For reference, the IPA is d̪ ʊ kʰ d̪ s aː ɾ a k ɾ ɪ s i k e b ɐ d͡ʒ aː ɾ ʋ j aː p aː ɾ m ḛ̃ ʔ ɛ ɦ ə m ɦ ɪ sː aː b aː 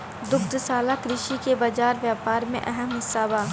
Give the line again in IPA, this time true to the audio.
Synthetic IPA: d̪ ʊ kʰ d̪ s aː l a k ɾ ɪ ʃ i k e b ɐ d͡ʒ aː ɾ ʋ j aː p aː ɾ m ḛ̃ ʔ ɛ ɦ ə m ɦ ɪ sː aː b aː